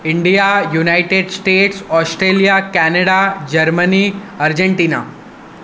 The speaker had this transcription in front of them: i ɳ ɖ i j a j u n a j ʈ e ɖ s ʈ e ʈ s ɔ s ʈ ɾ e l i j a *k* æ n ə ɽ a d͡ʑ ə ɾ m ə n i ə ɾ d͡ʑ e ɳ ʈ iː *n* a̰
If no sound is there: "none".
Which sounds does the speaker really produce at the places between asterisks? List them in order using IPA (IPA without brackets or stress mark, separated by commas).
k, n